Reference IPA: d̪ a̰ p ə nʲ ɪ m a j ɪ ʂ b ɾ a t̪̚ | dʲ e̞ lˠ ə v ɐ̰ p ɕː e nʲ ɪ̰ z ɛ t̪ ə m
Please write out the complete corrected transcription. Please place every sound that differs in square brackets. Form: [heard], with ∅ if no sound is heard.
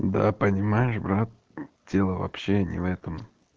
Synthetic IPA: d̪ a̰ p ə nʲ ɪ m a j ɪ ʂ b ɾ a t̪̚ | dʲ e̞ lˠ ə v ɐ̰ p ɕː e nʲ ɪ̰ [v] ɛ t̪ ə m